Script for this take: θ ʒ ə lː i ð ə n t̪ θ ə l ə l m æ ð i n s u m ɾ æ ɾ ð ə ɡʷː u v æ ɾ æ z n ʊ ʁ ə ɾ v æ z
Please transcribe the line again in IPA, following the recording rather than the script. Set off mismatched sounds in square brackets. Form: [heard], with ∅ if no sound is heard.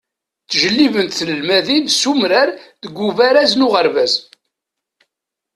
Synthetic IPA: θ ʒ ə lː i [v] ə n t̪ θ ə l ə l m æ ð i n s u m ɾ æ ɾ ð ə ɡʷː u v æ ɾ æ z n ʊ ʁ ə ɾ v æ z